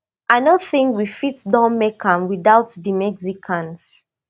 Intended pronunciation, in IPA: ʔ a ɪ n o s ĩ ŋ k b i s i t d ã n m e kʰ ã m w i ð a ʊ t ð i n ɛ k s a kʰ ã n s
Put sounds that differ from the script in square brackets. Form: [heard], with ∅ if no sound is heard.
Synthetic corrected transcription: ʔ a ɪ n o [θ] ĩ ŋ k [w] i [f] i t d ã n m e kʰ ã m w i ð a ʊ t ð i [m] ɛ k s [i] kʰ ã n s